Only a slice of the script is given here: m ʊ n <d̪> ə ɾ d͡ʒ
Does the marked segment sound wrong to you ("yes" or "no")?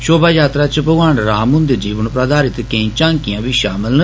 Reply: no